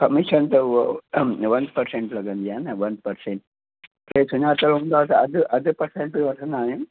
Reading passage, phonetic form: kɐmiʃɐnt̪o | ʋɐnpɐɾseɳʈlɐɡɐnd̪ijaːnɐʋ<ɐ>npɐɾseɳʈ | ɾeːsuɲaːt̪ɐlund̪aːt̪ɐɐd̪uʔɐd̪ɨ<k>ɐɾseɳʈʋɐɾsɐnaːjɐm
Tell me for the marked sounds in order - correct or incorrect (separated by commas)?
correct, incorrect